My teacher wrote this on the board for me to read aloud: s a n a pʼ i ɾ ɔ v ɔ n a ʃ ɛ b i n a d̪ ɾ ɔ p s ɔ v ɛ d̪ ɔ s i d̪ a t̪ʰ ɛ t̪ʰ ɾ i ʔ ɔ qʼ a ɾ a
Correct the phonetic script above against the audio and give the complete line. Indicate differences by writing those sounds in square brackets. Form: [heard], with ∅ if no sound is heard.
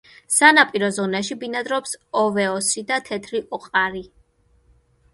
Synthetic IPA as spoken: s a n a pʼ i ɾ ɔ [z] ɔ n a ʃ [i] b i n a d̪ ɾ ɔ p s ɔ v ɛ [∅] ɔ s i d̪ a t̪ʰ ɛ t̪ʰ ɾ i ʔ ɔ qʼ a ɾ [i]